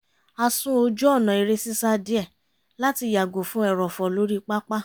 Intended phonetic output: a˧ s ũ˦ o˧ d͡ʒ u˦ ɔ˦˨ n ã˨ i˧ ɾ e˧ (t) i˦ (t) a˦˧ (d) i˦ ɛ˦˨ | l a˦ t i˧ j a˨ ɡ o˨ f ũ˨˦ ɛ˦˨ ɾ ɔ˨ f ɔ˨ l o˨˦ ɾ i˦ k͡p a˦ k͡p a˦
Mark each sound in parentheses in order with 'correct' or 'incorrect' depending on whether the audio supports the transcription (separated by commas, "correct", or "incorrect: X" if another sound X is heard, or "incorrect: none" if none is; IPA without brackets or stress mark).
incorrect: s, incorrect: s, correct